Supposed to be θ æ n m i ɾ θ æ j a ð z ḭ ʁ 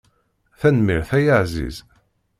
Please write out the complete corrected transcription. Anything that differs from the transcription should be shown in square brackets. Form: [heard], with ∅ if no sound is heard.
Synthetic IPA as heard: θ æ n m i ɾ θ æ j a [ʕ] z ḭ [z]